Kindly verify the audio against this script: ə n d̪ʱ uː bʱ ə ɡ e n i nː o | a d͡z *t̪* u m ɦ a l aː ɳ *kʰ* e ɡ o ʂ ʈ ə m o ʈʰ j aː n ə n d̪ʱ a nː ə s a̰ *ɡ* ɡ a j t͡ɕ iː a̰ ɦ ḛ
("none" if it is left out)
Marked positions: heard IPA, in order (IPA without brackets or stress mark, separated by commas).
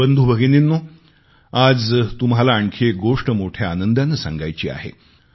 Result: t̪, kʰ, ŋ